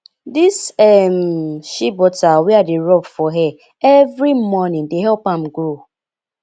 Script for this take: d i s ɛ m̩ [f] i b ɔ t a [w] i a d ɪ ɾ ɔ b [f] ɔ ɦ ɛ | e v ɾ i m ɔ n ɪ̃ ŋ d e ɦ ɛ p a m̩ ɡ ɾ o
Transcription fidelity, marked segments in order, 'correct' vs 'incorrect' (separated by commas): incorrect, correct, correct